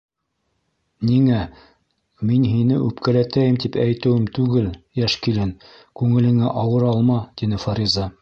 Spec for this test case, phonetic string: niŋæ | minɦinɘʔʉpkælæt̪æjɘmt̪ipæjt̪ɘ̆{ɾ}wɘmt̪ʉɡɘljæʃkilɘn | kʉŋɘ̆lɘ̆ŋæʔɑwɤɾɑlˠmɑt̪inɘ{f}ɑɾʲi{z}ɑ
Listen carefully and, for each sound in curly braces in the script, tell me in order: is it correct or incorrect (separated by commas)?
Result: incorrect, correct, correct